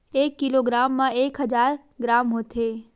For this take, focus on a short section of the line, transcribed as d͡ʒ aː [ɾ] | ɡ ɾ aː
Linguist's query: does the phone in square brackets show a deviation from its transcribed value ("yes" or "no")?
no